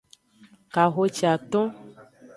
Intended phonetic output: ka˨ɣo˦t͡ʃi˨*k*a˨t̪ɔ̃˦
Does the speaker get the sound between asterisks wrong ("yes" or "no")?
yes